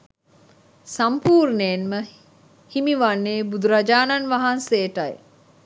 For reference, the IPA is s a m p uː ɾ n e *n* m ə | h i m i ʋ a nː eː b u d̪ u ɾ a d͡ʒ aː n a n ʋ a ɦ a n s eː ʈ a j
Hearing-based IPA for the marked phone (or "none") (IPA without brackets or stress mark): n